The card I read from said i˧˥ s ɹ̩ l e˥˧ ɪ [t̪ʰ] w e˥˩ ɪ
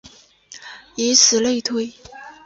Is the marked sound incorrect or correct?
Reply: correct